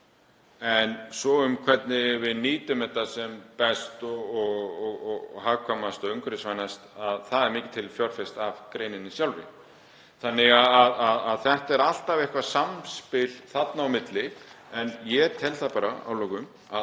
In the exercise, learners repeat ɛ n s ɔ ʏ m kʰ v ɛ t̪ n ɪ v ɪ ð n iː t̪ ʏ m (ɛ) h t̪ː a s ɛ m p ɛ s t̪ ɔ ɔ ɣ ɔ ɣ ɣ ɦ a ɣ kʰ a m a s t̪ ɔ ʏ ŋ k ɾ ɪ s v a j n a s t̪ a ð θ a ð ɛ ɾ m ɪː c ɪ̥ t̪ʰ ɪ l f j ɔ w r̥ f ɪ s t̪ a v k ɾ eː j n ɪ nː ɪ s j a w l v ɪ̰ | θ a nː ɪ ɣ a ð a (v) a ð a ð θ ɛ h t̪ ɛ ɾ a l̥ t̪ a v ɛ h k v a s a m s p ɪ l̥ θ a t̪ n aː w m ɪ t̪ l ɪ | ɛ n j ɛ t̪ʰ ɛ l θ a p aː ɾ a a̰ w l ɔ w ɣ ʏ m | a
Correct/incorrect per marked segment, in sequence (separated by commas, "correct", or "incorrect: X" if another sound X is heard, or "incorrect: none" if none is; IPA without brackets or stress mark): correct, incorrect: ð